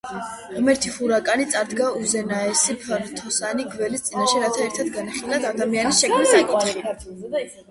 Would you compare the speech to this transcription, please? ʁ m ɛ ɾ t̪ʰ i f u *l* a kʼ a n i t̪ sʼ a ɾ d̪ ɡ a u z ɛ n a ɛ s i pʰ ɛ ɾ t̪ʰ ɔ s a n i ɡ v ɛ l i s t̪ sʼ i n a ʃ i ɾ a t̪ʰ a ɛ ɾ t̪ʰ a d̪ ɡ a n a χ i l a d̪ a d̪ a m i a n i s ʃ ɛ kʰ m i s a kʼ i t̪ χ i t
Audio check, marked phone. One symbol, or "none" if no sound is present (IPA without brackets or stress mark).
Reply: ɾ